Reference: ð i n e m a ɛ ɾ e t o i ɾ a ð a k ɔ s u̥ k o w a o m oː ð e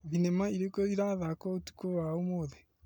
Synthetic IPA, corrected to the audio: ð i n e m a i ɾ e k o i ɾ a ð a k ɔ t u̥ k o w a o m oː ð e